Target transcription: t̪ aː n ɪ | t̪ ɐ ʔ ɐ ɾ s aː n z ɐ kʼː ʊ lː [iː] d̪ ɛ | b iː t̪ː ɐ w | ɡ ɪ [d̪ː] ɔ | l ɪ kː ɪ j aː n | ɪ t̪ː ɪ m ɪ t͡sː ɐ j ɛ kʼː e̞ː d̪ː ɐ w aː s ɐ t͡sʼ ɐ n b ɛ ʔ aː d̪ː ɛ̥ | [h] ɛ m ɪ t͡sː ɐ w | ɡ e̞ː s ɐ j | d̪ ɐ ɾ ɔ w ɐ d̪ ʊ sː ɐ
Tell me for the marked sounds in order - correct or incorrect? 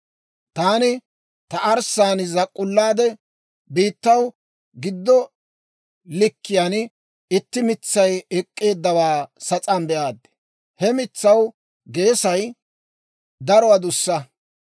incorrect, correct, correct

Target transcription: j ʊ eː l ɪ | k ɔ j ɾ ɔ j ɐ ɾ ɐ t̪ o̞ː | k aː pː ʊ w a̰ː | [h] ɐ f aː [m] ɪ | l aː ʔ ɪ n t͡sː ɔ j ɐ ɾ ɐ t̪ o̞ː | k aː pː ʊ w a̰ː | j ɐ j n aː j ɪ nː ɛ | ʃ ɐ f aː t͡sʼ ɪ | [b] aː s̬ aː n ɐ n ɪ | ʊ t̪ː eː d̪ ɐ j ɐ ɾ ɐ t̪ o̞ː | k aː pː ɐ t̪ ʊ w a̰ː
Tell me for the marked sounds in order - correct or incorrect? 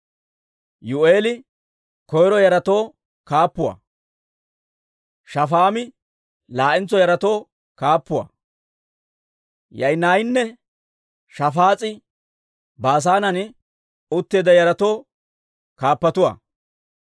incorrect, correct, correct

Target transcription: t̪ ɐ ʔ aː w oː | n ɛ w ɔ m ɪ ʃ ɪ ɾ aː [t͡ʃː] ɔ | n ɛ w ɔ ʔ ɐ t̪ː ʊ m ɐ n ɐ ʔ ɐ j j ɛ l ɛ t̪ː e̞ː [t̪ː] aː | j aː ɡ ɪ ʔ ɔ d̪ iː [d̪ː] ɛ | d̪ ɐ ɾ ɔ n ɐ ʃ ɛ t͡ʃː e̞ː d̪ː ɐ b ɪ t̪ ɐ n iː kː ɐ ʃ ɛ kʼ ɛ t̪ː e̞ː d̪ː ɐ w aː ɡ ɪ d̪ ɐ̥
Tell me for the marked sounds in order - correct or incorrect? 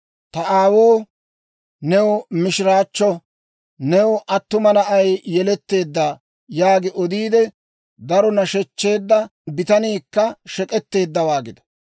correct, incorrect, incorrect

